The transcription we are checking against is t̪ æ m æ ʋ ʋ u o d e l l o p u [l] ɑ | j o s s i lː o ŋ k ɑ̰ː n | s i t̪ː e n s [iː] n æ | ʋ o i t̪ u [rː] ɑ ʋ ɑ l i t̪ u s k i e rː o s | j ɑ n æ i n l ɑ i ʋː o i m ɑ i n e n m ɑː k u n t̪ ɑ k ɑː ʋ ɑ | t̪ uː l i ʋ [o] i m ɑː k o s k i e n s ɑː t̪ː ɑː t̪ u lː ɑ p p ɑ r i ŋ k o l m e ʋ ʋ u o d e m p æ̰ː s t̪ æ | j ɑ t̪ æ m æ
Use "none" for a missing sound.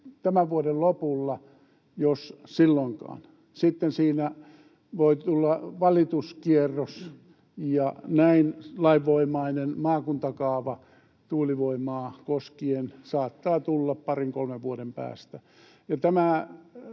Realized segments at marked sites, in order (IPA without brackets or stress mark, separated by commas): lː, iː, lː, o